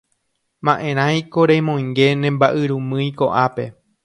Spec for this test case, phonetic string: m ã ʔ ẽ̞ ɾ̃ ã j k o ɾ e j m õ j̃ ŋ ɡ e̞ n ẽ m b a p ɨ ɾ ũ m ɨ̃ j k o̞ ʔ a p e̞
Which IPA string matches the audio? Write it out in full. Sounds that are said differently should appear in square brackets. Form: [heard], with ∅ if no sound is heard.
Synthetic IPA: m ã ʔ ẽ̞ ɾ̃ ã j k o ɾ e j m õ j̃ ŋ ɡ e̞ n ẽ m b a [ʔ] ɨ ɾ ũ m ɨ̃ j k o̞ ʔ a p e̞

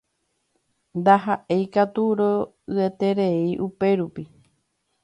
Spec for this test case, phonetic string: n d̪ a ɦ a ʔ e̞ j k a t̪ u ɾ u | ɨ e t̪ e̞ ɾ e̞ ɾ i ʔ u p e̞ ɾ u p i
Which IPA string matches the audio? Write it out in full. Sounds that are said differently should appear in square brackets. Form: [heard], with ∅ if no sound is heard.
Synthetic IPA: n d̪ a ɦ a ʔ e̞ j k a t̪ u ɾ [o] | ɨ e t̪ e̞ ɾ e̞ [∅] i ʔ u p e̞ ɾ u p i

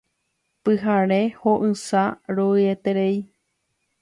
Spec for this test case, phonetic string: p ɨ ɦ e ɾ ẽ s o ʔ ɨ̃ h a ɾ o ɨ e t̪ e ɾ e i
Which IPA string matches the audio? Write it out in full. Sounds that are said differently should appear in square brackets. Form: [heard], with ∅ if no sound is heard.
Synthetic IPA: p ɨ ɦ [a] ɾ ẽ [h] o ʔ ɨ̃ [s] a ɾ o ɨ e t̪ e ɾ e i

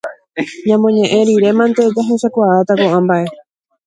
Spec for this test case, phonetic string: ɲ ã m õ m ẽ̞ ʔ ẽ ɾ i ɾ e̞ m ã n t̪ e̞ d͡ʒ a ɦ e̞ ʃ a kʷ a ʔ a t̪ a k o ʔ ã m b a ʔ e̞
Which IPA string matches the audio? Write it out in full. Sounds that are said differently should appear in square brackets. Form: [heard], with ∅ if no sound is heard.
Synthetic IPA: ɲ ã m õ [ɲ] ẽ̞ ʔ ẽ ɾ i ɾ e̞ m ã n t̪ e̞ d͡ʒ a ɦ e̞ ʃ a kʷ a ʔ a t̪ a k o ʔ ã m b a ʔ e̞

